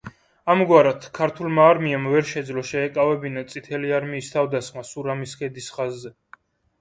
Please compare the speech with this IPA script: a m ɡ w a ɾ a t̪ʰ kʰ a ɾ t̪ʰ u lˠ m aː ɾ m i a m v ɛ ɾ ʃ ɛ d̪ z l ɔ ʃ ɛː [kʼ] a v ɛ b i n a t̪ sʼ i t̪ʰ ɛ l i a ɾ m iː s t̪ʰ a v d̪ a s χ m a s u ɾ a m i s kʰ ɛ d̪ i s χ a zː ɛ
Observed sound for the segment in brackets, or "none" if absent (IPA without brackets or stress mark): kʼ